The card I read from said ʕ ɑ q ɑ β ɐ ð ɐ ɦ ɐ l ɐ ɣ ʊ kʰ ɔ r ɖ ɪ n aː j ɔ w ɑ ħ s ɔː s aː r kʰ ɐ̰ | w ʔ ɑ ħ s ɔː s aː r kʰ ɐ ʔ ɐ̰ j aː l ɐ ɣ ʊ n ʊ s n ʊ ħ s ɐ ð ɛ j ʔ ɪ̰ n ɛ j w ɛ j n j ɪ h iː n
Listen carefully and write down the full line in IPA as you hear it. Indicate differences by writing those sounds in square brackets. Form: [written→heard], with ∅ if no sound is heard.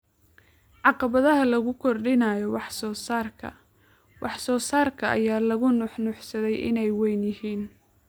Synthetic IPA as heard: ʕ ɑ q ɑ β ɐ ð ɐ ɦ ɐ l ɐ ɣ ʊ kʰ ɔ r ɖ ɪ n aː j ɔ w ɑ ħ s ɔː s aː r kʰ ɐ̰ | w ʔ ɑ ħ s ɔː s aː r kʰ ɐ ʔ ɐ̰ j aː l ɐ ɣ ʊ n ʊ [s→ħ] n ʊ ħ s ɐ ð ɛ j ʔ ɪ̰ n ɛ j w ɛ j n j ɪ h iː n

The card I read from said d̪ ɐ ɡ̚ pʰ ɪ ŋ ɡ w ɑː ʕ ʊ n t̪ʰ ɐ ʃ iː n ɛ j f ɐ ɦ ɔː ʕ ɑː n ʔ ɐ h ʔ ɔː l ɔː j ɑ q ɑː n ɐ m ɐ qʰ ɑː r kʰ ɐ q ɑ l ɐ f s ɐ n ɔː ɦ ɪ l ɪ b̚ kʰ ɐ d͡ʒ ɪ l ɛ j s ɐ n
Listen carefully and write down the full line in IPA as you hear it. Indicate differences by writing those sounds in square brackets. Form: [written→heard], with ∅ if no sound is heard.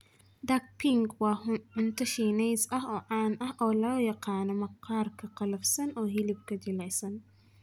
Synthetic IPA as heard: d̪ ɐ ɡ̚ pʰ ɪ ŋ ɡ w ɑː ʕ ʊ n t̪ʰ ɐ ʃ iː n ɛ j [f→s] ɐ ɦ ɔː ʕ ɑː n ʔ ɐ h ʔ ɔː l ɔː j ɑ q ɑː n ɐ m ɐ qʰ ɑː r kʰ ɐ q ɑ l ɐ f s ɐ n ɔː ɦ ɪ l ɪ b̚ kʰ ɐ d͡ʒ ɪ l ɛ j s ɐ n

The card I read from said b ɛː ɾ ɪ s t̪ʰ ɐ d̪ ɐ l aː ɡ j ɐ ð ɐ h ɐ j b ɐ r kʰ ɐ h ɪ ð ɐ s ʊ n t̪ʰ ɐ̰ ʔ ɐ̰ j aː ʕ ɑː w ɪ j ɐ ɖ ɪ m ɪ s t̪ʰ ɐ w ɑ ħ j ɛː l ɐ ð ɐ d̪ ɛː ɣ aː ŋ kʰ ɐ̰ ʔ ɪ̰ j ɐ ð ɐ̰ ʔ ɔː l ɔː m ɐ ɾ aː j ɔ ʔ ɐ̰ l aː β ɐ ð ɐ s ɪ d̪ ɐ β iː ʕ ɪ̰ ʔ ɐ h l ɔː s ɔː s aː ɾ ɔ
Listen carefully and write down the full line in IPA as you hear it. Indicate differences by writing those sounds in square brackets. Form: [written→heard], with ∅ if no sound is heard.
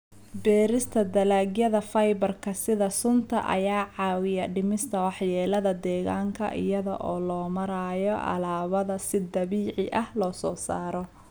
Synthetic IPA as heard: b ɛː ɾ ɪ s t̪ʰ ɐ d̪ ɐ l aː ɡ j ɐ ð ɐ [h→f] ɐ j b ɐ r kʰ ɐ [h→s] ɪ ð ɐ s ʊ n t̪ʰ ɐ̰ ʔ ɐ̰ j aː ʕ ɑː w ɪ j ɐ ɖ ɪ m ɪ s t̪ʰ ɐ w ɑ ħ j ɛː l ɐ ð ɐ d̪ ɛː ɣ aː ŋ kʰ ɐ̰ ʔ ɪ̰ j ɐ ð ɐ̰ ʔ ɔː l ɔː m ɐ ɾ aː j ɔ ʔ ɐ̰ l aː β ɐ ð ɐ s ɪ d̪ ɐ β iː ʕ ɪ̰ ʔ ɐ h l ɔː s ɔː s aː ɾ ɔ

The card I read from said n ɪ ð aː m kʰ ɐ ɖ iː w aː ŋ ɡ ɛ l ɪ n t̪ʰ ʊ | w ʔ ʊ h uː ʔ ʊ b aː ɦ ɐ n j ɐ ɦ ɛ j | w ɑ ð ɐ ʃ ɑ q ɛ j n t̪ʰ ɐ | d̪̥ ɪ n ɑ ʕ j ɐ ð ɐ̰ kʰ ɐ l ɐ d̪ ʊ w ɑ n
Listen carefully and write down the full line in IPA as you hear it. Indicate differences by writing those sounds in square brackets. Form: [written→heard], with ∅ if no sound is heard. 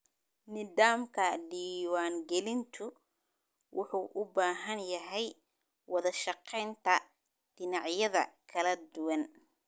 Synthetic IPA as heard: n ɪ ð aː m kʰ ɐ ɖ iː w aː ŋ ɡ ɛ l ɪ n t̪ʰ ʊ | w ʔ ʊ [h→ħ] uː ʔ ʊ b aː ɦ ɐ n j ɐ ɦ ɛ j | w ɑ ð ɐ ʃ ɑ q ɛ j n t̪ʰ ɐ | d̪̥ ɪ n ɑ ʕ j ɐ ð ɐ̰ kʰ ɐ l ɐ d̪ ʊ w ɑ n

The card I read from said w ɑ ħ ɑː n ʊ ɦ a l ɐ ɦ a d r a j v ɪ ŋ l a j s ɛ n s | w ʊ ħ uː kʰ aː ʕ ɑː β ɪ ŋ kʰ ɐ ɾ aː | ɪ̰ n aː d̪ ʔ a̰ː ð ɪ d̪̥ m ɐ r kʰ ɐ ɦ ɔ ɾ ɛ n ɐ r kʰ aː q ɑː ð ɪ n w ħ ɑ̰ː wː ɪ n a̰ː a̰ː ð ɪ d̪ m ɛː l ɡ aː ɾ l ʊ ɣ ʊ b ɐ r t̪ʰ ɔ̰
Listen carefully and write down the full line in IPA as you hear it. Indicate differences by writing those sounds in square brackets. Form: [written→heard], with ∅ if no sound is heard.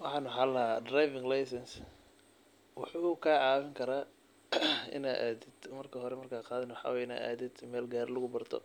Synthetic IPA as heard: w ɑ ħ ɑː n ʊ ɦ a l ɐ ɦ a d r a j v ɪ ŋ l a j s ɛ n s | w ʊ ħ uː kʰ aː ʕ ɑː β ɪ ŋ kʰ ɐ ɾ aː | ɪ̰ n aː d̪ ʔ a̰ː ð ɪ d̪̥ m ɐ r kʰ ɐ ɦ ɔ ɾ ɛ [n→m] ɐ r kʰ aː q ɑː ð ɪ n w ħ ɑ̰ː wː ɪ n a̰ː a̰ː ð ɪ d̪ m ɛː l ɡ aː ɾ l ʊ ɣ ʊ b ɐ r t̪ʰ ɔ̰

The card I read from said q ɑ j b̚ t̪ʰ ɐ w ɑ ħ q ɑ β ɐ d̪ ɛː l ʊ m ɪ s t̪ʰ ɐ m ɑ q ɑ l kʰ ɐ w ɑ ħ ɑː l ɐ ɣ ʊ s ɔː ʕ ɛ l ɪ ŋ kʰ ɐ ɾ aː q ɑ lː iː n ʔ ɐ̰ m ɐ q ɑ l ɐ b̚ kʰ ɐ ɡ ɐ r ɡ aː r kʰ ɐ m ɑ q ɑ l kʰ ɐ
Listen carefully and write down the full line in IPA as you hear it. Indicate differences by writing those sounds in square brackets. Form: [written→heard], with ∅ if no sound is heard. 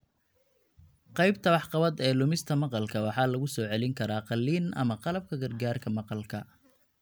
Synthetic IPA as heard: q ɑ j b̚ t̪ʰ ɐ w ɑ ħ q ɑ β ɐ d̪ ɛː l ʊ m ɪ s t̪ʰ ɐ m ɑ q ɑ l kʰ ɐ w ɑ ħ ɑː l ɐ ɣ ʊ s ɔː ʕ ɛ l ɪ ŋ kʰ ɐ ɾ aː q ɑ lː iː n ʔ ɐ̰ m ɐ q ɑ l ɐ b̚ kʰ ɐ ɡ ɐ r ɡ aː r kʰ ɐ m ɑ q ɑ l kʰ ɐ

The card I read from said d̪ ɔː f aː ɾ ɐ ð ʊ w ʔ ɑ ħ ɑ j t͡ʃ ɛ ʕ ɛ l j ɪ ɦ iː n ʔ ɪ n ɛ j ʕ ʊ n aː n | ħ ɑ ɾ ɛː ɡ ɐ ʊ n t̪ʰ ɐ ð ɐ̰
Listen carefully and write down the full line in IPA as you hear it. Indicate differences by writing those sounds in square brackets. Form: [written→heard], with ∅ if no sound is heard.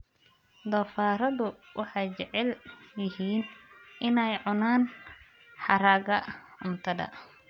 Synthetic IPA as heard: d̪ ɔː f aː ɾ ɐ ð ʊ w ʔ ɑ ħ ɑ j t͡ʃ ɛ ʕ ɛ l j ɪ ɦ iː n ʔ ɪ n ɛ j ʕ ʊ n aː n | ħ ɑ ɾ [ɛː→aː] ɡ ɐ ʊ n t̪ʰ ɐ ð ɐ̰

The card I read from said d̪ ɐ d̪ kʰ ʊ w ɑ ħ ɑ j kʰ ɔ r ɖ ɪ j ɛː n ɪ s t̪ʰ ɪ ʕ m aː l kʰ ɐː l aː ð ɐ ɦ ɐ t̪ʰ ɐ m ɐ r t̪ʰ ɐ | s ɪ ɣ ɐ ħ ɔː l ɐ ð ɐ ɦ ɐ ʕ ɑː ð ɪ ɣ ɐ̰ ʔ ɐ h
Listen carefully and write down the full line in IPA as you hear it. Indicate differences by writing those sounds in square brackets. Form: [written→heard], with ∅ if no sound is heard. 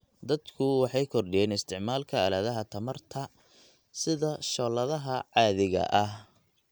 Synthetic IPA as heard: d̪ ɐ d̪ kʰ ʊ w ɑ ħ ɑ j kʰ ɔ r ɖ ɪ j ɛː n ɪ s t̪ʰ ɪ ʕ m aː l kʰ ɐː l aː ð ɐ ɦ ɐ t̪ʰ ɐ m ɐ r t̪ʰ ɐ | s ɪ [ɣ→ð] ɐ [ħ→ʃ] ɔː l ɐ ð ɐ ɦ ɐ ʕ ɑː ð ɪ ɣ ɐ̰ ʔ ɐ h

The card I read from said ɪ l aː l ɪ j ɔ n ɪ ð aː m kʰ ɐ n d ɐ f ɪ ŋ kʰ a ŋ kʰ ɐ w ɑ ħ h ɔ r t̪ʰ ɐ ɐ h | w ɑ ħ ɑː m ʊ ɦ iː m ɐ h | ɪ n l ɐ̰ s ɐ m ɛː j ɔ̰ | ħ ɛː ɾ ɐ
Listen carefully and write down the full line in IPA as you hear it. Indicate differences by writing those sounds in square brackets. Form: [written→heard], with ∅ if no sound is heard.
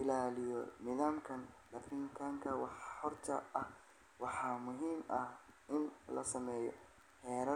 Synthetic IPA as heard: ɪ l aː l ɪ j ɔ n ɪ ð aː m kʰ ɐ n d ɐ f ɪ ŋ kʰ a ŋ kʰ ɐ w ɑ ħ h ɔ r t̪ʰ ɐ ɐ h | w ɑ ħ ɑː m ʊ ɦ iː m ɐ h | ɪ n l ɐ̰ s ɐ m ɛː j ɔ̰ | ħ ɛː ɾ ɐ

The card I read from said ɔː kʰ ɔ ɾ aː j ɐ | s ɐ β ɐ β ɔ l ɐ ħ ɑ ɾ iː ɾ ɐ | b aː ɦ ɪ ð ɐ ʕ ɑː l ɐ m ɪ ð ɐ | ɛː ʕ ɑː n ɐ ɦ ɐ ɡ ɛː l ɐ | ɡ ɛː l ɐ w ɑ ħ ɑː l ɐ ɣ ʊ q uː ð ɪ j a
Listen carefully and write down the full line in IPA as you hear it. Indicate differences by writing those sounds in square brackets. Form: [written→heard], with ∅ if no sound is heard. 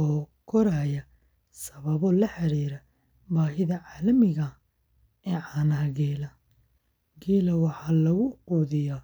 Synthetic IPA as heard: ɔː kʰ ɔ ɾ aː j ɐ | s ɐ β ɐ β ɔ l ɐ ħ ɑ ɾ iː ɾ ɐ | b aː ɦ ɪ ð ɐ ʕ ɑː l ɐ m ɪ [ð→ɣ] ɐ | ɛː ʕ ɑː n ɐ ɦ ɐ ɡ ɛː l ɐ | ɡ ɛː l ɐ w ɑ ħ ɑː l ɐ ɣ ʊ q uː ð ɪ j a

